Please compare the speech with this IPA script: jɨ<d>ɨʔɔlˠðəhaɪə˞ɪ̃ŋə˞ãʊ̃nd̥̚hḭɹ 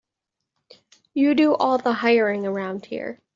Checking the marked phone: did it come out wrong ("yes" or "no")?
no